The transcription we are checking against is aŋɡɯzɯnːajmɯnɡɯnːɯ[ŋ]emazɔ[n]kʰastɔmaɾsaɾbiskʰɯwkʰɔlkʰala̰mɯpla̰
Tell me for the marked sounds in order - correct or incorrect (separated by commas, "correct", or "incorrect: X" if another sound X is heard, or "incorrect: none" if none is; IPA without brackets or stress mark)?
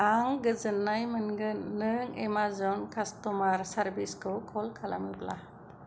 correct, correct